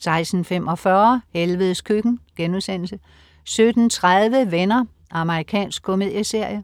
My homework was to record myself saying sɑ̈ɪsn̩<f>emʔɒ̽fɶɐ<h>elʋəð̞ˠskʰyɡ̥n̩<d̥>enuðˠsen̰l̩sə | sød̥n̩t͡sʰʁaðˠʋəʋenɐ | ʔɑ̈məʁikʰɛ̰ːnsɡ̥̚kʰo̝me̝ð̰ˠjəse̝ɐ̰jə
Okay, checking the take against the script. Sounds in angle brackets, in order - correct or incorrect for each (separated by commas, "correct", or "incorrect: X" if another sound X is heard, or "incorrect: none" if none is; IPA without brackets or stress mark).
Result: correct, correct, incorrect: ɡ̥